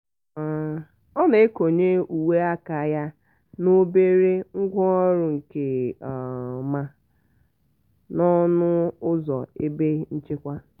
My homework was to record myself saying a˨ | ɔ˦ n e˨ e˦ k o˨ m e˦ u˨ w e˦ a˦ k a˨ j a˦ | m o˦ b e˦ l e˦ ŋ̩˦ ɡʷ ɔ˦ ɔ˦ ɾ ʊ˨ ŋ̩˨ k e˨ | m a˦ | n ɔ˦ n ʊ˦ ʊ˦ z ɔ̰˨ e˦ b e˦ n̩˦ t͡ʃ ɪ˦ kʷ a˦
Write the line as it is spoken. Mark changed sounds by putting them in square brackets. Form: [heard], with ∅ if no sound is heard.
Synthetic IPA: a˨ | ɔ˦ n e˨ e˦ k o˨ [ɲ] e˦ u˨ w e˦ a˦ k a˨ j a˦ | [n] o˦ b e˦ [ɾ] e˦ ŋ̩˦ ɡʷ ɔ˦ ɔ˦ ɾ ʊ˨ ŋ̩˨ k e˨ | m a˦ | n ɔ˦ n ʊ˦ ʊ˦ z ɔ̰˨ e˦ b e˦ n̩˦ t͡ʃ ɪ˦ kʷ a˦